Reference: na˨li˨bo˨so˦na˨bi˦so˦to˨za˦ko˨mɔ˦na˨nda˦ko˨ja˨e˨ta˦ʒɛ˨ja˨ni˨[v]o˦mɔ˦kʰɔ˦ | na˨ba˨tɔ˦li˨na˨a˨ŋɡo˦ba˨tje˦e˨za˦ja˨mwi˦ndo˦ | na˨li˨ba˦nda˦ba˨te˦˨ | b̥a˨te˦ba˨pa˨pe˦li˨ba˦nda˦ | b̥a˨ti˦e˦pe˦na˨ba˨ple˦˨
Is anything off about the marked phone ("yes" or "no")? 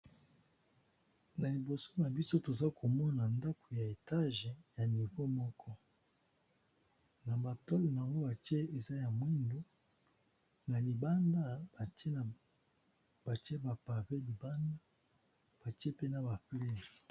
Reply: no